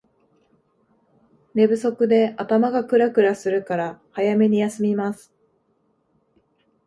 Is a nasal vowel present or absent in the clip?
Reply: absent